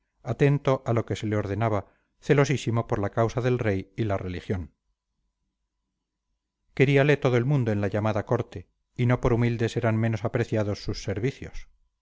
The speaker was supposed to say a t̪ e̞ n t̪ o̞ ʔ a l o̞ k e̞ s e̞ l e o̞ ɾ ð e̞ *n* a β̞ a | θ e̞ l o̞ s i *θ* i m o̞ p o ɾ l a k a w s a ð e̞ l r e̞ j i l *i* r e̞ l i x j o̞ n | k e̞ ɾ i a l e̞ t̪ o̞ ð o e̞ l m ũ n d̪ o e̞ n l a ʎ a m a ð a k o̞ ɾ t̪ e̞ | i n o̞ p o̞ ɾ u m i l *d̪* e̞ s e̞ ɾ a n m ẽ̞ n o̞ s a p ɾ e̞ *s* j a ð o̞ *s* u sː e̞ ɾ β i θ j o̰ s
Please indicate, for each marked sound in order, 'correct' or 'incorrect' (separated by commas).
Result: correct, incorrect, incorrect, correct, incorrect, incorrect